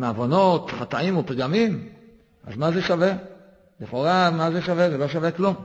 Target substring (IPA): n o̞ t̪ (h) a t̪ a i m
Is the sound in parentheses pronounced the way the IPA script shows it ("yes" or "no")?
no